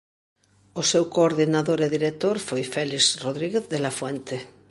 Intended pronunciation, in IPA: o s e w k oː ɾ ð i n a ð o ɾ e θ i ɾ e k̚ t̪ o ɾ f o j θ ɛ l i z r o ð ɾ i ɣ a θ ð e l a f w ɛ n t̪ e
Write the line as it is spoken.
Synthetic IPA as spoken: o s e w k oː ɾ ð i n a ð o ɾ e ð i ɾ e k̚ t̪ o ɾ f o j f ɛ l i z r o ð ɾ i ɣ e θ ð e l a f w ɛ n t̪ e